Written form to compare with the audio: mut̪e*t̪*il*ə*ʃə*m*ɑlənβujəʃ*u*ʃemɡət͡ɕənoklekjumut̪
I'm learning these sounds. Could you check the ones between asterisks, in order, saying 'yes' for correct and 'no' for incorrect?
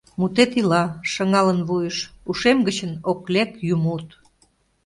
yes, no, no, yes

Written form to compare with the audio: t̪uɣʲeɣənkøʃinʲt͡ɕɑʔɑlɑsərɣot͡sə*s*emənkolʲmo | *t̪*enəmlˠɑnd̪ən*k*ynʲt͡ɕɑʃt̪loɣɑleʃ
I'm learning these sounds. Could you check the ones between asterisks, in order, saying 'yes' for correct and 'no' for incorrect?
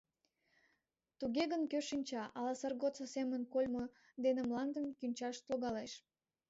yes, no, yes

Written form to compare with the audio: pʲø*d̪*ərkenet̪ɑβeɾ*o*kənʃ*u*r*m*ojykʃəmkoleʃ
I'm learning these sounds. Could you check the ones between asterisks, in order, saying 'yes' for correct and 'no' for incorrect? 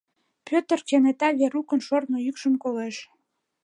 no, no, no, no

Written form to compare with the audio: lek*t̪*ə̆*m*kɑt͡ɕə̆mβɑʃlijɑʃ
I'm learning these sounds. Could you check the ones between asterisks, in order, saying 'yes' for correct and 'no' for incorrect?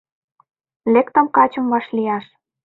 yes, yes

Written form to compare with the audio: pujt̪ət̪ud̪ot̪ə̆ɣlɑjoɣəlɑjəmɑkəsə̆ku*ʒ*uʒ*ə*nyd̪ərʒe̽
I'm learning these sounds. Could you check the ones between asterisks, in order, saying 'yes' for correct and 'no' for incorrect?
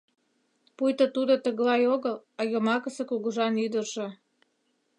no, no

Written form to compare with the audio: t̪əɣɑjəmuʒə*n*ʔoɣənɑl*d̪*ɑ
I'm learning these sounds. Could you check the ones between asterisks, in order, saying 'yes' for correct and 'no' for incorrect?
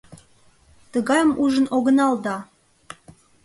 yes, yes

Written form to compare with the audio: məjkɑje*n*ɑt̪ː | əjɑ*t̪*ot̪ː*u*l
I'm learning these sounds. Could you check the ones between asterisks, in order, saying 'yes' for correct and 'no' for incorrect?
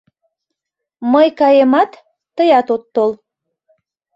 no, yes, no

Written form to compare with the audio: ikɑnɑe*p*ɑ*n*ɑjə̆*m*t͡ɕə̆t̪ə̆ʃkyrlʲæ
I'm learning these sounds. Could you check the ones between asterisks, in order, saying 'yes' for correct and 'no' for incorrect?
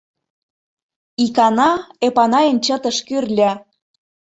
yes, yes, no

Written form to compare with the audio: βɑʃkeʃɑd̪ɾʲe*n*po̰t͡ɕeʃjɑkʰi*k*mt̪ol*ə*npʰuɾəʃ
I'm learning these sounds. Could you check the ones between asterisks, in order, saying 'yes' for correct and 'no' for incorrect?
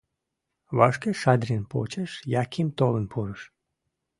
yes, no, yes

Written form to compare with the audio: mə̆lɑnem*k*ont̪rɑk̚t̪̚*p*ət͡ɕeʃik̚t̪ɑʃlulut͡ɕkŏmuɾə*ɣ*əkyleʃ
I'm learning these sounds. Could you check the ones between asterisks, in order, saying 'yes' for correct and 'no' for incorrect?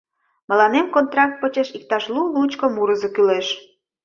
yes, yes, no

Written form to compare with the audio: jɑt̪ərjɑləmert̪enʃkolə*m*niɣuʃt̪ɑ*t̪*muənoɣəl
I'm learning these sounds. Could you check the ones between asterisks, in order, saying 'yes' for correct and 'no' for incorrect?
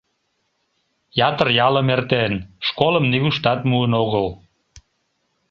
yes, yes

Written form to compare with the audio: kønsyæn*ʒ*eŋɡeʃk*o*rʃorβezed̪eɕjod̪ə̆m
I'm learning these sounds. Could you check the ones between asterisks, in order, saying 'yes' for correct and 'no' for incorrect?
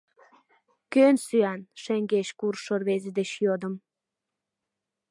no, no

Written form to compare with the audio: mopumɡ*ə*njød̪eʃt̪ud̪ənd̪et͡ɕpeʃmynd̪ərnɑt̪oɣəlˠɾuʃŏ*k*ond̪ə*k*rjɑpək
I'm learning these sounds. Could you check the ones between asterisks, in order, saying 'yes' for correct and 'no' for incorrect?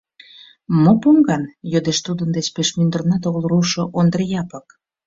no, no, no

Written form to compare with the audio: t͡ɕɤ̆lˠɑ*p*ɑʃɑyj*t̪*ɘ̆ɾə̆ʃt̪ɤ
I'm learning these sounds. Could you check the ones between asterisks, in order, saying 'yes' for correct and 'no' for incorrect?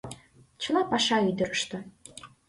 yes, no

